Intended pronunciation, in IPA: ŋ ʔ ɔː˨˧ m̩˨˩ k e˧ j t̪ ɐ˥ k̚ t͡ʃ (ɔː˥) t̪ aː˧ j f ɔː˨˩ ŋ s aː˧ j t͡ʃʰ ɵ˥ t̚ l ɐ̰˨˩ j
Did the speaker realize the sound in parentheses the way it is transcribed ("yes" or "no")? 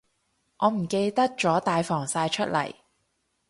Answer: no